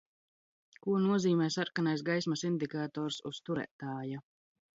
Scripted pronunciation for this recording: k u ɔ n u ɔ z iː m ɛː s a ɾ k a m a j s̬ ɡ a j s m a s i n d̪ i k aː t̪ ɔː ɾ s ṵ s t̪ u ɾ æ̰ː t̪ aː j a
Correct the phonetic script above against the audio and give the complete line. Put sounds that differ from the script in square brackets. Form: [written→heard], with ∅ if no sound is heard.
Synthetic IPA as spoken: k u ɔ n u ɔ z iː m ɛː s a ɾ k a [m→n] a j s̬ ɡ a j s m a s i n d̪ i k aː t̪ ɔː ɾ s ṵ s t̪ u ɾ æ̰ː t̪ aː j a